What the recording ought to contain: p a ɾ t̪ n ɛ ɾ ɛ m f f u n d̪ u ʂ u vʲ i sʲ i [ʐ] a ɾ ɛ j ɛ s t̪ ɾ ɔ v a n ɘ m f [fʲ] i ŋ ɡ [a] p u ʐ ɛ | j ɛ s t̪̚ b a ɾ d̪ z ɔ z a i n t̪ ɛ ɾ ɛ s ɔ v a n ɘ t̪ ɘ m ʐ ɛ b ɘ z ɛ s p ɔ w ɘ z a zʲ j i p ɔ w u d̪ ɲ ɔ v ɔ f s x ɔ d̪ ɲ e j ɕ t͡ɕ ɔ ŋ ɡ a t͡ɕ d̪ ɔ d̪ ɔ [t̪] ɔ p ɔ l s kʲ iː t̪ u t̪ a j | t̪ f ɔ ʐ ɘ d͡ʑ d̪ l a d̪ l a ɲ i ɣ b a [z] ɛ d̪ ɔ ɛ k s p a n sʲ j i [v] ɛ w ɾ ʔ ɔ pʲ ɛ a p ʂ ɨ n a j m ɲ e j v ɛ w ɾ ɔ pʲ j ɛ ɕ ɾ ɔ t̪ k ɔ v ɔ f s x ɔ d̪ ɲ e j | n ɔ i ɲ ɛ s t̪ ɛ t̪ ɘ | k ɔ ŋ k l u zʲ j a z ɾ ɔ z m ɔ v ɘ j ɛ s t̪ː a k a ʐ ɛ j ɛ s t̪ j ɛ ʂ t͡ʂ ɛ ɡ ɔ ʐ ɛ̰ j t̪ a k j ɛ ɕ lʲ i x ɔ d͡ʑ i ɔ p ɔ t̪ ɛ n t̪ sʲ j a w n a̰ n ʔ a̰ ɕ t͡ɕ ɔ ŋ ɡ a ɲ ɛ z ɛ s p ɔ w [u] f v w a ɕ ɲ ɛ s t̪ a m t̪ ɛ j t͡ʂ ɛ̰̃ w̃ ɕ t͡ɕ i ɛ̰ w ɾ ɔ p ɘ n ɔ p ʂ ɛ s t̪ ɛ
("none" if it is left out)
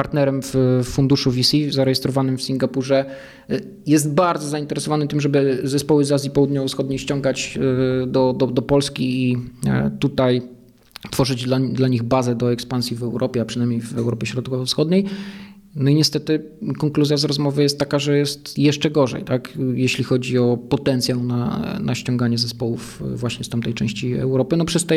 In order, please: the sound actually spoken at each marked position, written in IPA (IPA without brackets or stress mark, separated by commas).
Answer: z, sʲ, a, d̪, z, v, u